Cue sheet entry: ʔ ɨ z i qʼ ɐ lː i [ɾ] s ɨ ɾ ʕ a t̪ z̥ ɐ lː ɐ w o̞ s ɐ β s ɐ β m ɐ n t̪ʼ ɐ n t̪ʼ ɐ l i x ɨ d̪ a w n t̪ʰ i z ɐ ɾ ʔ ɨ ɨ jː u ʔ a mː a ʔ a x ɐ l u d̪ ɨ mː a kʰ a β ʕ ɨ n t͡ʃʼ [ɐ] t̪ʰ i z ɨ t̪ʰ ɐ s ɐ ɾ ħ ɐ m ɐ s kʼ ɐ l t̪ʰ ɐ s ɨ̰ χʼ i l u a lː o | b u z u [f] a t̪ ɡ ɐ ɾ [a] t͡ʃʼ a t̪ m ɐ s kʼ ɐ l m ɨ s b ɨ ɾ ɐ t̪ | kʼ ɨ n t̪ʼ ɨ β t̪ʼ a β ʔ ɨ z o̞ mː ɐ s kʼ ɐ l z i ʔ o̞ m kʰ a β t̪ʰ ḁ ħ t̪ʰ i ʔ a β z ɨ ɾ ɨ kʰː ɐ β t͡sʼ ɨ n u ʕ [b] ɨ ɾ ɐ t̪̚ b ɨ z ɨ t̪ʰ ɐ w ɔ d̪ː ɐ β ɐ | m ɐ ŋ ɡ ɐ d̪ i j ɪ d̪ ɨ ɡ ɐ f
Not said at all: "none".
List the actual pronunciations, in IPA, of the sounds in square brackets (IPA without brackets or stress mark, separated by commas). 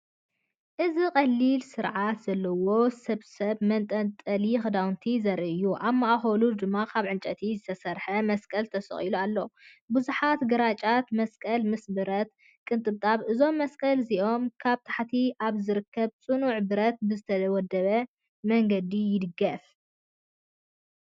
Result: l, ɐ, ħ, a, b